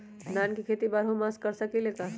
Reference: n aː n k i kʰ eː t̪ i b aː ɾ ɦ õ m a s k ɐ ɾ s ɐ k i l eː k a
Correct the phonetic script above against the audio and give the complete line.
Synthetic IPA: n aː n k i kʰ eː t̪ i b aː ɾ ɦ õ m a s k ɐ ɾ s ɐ k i l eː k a